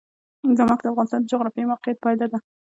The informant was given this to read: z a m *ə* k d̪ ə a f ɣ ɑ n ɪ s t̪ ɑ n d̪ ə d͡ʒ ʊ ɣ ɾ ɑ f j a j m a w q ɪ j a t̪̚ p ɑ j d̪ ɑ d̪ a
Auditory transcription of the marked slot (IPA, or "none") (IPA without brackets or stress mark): ɑ